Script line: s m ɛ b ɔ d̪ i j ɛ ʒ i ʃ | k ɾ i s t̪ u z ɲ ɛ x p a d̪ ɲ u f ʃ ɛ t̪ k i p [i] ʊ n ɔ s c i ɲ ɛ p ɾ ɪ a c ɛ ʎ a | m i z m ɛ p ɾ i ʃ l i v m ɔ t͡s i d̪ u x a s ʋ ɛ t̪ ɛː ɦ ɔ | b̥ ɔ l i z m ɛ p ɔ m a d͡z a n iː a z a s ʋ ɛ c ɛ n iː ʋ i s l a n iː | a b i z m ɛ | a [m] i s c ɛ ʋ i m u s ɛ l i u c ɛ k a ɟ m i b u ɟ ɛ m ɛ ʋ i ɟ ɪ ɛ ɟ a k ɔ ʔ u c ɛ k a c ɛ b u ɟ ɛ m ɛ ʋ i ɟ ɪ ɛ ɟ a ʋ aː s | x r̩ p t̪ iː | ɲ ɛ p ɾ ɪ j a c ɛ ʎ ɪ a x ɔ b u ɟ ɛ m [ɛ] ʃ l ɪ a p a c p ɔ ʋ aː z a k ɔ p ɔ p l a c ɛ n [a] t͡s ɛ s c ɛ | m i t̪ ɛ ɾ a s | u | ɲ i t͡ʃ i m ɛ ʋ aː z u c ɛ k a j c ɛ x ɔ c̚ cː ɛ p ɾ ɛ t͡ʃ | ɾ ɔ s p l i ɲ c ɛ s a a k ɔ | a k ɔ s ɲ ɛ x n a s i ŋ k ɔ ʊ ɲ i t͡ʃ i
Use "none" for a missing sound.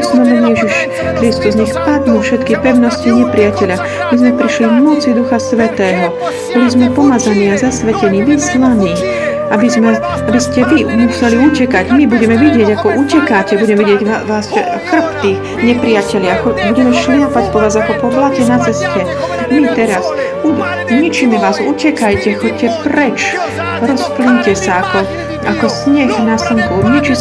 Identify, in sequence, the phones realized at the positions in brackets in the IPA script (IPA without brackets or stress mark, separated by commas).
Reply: ɛ, b, ɛ, a